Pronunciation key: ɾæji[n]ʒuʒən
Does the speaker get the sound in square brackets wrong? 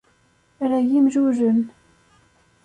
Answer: yes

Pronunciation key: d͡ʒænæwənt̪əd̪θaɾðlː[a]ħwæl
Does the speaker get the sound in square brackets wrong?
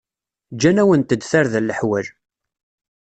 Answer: yes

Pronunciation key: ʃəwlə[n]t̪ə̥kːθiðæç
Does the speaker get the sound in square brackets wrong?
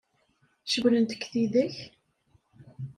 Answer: no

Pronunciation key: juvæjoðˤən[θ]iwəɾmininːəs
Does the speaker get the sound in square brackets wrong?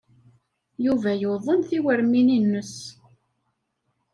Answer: no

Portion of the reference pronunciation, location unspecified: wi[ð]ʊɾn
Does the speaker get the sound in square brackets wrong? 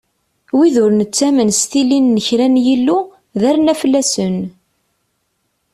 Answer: no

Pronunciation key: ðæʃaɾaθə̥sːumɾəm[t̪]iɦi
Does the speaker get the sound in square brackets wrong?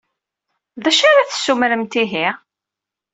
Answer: no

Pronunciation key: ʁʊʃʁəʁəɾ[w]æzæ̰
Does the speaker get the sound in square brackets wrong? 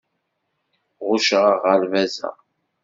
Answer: yes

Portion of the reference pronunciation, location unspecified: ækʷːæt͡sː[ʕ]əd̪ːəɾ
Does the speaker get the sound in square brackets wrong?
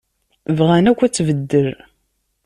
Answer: yes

